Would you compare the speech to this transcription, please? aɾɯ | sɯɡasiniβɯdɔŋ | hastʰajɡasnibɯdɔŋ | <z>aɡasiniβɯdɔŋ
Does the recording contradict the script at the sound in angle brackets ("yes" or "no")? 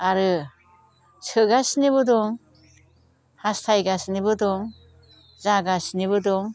no